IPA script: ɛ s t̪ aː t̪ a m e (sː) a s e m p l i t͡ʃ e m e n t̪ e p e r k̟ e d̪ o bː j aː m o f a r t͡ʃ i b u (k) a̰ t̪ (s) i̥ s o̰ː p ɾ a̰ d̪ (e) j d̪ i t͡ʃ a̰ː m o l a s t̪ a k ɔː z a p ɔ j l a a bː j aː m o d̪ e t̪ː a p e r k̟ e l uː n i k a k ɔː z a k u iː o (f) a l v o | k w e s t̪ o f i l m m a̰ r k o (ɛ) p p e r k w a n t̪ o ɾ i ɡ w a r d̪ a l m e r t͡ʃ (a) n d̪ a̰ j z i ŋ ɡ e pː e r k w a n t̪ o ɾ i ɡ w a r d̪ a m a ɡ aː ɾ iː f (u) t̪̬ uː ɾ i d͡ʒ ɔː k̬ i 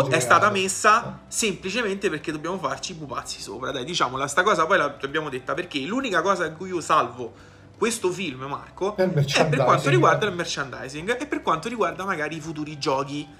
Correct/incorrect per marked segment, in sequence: correct, incorrect: p, incorrect: sː, incorrect: a, incorrect: s, correct, correct, correct

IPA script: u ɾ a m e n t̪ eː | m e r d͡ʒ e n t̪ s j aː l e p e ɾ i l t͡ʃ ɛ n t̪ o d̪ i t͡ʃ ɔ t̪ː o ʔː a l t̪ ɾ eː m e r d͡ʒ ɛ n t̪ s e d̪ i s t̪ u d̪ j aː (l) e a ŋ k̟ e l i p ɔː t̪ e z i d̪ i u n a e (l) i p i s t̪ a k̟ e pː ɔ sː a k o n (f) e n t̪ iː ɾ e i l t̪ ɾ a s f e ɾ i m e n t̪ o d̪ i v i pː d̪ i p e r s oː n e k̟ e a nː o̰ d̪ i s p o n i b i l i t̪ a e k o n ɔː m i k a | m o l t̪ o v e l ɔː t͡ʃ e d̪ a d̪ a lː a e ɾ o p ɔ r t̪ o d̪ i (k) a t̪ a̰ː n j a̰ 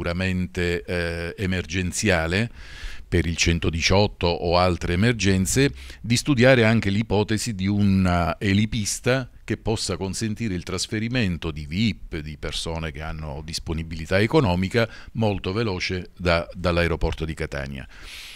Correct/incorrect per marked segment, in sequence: incorrect: ɾ, correct, incorrect: s, correct

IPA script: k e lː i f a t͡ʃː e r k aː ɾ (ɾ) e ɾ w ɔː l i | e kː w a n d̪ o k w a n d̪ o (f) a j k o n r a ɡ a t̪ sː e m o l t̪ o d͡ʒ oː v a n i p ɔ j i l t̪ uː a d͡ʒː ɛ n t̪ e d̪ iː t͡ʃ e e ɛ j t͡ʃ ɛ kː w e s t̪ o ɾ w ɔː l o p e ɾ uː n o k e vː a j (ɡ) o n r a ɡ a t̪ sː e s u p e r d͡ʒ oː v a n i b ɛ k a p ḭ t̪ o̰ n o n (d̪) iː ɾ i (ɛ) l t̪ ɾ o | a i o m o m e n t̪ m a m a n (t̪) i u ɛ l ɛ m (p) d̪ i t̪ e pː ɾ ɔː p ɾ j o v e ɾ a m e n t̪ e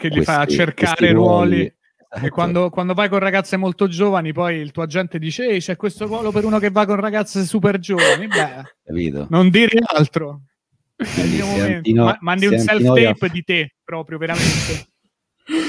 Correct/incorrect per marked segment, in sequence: correct, incorrect: v, incorrect: k, correct, incorrect: a, incorrect: d̪, correct

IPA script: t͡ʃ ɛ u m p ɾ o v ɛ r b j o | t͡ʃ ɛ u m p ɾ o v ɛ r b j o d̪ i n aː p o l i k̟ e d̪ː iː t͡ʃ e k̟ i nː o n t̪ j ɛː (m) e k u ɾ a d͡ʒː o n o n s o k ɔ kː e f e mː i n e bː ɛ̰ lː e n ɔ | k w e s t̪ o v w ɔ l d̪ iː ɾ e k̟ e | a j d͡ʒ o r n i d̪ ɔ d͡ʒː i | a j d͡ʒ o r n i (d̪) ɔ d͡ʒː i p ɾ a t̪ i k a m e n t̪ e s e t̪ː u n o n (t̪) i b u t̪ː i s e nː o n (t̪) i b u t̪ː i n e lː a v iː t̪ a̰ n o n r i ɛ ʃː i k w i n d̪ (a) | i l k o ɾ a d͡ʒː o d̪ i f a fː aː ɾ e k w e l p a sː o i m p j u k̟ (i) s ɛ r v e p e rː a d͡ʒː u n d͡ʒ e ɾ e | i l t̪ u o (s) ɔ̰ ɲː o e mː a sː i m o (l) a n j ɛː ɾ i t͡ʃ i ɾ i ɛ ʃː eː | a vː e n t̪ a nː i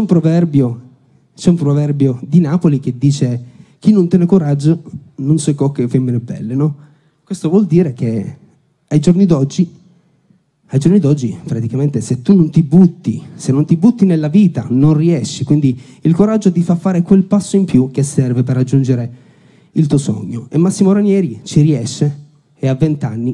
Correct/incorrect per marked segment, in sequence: incorrect: n, correct, correct, correct, incorrect: i, incorrect: e, correct, incorrect: ɾ

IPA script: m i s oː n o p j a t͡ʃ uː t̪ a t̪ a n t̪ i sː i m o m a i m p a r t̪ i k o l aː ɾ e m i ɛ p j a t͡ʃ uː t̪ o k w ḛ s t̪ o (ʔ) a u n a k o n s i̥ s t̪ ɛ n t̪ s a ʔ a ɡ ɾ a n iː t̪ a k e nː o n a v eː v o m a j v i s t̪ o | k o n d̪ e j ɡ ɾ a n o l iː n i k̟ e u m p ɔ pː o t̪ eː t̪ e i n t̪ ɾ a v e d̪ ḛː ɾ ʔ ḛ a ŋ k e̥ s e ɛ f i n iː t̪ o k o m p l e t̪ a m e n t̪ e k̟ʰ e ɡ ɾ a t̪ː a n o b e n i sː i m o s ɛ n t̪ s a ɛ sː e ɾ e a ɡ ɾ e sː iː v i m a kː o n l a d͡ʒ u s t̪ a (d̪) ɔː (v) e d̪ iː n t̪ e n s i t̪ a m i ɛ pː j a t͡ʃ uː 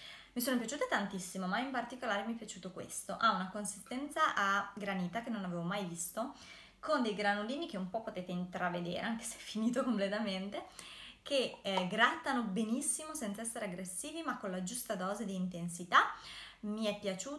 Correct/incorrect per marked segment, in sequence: correct, correct, incorrect: z

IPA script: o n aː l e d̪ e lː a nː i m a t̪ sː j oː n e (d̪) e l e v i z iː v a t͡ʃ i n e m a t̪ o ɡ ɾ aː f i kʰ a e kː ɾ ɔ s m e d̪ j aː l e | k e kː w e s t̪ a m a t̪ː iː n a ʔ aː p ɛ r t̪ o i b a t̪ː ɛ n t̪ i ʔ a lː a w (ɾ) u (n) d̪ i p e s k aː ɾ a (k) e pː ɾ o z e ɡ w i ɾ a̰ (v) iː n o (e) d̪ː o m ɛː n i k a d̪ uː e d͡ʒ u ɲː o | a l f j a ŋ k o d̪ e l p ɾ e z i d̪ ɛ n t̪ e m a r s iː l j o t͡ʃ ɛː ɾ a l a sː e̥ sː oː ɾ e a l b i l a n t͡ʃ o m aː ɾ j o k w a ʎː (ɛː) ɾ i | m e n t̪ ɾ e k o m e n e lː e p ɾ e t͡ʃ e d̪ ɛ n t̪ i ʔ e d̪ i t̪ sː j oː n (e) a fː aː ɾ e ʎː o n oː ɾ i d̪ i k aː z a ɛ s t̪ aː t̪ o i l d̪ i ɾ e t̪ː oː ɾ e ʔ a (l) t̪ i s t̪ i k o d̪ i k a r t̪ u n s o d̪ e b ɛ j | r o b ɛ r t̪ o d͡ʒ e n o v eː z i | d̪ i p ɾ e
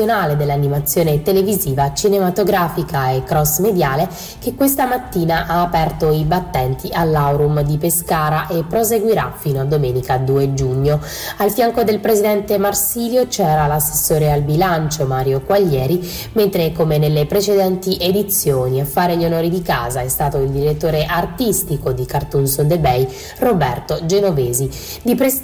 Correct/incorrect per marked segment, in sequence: incorrect: t̪, correct, incorrect: m, incorrect: ʔ, incorrect: f, incorrect: a, correct, incorrect: i, incorrect: r

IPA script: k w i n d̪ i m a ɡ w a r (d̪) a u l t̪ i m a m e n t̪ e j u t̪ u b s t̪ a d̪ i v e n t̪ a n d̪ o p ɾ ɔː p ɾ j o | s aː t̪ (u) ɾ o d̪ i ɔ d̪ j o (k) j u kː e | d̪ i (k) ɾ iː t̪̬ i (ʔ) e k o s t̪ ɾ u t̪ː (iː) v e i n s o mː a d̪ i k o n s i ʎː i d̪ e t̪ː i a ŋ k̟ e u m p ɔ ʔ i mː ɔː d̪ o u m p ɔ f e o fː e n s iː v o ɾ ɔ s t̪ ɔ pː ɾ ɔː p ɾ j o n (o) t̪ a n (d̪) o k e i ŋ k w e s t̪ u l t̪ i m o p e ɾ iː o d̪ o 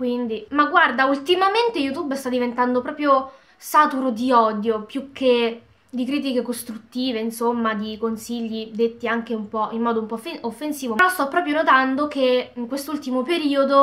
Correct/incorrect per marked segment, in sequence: correct, correct, incorrect: p, correct, incorrect: k, correct, correct, correct

